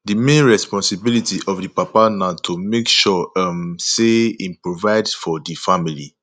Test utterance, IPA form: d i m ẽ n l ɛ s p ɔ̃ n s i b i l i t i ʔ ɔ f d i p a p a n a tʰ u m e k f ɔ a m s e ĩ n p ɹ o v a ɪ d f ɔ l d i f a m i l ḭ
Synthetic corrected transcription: d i m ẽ n ɹ ɛ s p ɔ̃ n s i b i l i t i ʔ ɔ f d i p a p a n a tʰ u m e k ʃ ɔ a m s e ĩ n p ɹ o v a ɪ d f ɔ d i f a m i l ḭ